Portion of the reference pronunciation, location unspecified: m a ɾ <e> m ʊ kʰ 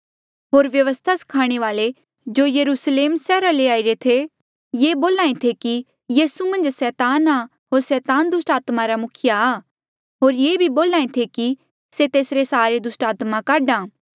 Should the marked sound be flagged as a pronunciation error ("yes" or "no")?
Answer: yes